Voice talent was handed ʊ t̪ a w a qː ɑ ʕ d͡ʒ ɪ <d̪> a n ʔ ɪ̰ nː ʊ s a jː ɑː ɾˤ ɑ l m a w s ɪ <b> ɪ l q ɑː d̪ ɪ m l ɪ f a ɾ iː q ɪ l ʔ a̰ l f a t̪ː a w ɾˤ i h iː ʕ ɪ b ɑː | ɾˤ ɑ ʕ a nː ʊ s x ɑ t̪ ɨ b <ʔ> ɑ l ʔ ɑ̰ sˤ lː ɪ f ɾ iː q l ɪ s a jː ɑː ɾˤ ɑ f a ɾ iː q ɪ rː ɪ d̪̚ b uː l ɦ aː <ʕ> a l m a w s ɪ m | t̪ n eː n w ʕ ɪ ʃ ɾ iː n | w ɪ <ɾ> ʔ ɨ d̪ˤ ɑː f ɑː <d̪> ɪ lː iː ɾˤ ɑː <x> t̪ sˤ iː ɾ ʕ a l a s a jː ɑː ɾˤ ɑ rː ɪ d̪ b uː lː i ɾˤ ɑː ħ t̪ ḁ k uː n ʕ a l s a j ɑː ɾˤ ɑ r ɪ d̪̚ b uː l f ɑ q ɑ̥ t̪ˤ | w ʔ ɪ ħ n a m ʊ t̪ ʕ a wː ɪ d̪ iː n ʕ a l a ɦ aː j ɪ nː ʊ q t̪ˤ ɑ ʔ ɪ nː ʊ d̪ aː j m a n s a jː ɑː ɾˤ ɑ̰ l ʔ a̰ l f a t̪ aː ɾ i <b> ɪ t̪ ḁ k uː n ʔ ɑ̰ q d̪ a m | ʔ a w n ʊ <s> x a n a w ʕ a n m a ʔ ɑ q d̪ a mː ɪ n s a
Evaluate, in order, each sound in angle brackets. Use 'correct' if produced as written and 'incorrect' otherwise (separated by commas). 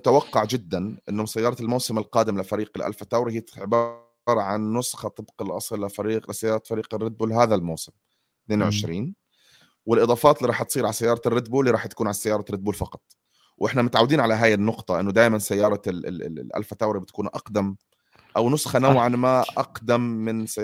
incorrect, incorrect, incorrect, incorrect, incorrect, incorrect, incorrect, correct, correct